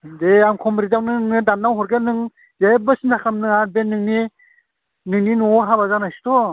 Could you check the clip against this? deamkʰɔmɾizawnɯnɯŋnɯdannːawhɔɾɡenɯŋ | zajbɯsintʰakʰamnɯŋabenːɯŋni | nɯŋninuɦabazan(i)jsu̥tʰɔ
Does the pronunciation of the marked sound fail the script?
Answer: yes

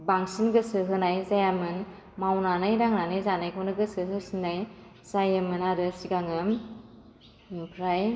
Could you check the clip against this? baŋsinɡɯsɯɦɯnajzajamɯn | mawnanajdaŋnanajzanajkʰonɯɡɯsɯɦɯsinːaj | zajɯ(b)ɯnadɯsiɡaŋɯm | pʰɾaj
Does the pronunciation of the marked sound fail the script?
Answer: yes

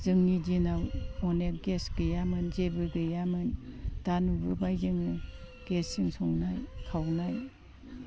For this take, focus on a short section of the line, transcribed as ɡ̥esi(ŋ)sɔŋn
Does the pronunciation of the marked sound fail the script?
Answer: no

